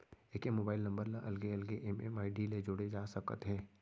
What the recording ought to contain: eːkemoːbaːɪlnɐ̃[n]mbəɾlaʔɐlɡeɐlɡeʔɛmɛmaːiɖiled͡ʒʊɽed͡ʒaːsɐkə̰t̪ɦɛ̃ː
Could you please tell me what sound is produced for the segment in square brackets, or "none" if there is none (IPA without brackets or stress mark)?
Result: none